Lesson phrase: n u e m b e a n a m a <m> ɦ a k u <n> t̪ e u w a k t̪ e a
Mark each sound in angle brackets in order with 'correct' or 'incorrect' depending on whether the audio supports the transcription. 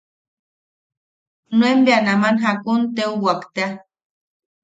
incorrect, correct

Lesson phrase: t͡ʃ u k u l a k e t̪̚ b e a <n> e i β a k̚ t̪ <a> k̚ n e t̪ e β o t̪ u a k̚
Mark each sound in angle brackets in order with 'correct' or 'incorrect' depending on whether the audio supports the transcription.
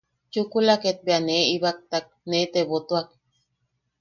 correct, correct

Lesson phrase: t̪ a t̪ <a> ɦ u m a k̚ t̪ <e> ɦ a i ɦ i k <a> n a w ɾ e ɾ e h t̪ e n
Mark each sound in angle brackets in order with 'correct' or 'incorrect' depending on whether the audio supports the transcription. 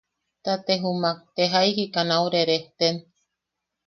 incorrect, correct, correct

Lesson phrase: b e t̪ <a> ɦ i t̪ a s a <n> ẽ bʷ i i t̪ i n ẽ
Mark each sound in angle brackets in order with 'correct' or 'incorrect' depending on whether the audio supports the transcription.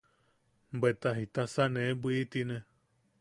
correct, correct

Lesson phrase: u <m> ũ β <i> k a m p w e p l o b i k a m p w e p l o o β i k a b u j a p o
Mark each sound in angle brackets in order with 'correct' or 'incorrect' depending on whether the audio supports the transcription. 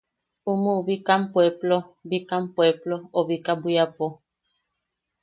correct, correct

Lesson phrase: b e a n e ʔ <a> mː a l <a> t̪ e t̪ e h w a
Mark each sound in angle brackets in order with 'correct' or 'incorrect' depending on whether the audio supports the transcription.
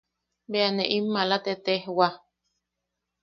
incorrect, correct

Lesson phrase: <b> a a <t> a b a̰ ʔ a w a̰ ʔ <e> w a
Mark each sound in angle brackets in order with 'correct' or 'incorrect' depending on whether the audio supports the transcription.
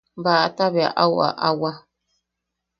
correct, correct, incorrect

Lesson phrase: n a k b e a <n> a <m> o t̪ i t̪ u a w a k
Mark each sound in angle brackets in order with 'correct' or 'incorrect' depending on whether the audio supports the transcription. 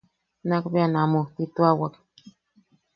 correct, correct

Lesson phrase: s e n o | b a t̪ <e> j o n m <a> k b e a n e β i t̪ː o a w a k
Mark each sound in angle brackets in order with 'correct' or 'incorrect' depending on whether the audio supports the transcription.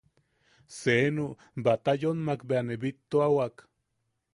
incorrect, correct

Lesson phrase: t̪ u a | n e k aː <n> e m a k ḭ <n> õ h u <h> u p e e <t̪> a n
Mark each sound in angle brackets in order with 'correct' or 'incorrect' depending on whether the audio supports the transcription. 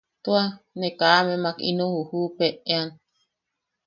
incorrect, correct, correct, incorrect

